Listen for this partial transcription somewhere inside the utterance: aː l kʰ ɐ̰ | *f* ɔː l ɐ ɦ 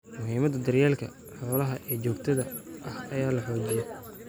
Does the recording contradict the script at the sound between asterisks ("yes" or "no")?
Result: yes